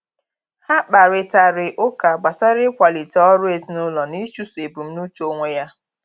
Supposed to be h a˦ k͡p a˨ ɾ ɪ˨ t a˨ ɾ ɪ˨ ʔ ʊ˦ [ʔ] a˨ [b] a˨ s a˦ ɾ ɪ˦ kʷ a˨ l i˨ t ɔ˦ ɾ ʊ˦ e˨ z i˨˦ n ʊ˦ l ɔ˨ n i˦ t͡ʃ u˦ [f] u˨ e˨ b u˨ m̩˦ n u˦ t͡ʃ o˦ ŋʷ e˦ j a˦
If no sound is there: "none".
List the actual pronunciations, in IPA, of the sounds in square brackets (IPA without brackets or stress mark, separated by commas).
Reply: k, ɡ͡b, s